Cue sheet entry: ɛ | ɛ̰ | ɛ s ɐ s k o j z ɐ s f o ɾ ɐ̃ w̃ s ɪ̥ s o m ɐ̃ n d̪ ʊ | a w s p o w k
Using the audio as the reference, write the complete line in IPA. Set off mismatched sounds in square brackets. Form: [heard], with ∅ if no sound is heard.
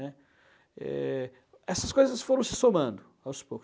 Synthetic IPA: ɛ | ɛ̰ | ɛ s ɐ s k o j z ɐ s f o ɾ ɐ̃ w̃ s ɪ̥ s o m ɐ̃ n d̪ ʊ | a w s p o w k